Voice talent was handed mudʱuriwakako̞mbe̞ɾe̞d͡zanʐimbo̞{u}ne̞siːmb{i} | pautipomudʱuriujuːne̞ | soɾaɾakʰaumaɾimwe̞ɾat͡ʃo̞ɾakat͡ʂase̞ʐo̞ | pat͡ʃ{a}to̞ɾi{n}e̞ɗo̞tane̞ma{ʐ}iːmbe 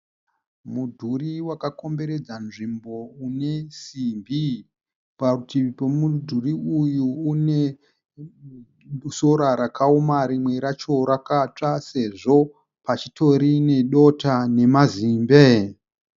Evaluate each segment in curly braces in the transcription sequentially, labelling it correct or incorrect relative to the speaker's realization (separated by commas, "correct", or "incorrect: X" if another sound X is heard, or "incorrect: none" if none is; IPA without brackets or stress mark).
correct, correct, incorrect: i, correct, incorrect: z